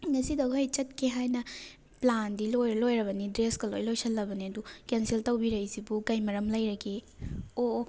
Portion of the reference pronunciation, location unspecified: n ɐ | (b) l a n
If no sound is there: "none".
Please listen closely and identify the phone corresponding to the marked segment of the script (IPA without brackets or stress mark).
p